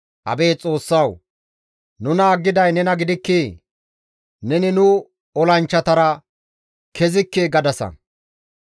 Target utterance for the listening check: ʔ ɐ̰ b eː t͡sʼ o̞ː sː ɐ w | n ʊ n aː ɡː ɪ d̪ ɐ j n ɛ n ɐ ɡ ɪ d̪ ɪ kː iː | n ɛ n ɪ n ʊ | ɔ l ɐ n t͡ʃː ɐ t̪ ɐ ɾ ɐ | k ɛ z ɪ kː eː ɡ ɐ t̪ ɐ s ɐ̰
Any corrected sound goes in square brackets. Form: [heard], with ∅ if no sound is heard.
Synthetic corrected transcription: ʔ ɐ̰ b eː t͡sʼ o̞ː sː ɐ w | n ʊ n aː ɡː ɪ d̪ ɐ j n ɛ n ɐ ɡ ɪ d̪ ɪ kː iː | n ɛ n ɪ n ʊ | ɔ l ɐ n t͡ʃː ɐ t̪ ɐ ɾ ɐ | k ɛ z ɪ kː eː ɡ ɐ [d̪] ɐ s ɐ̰